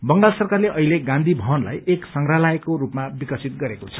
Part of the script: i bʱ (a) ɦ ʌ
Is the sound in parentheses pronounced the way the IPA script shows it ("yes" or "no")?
no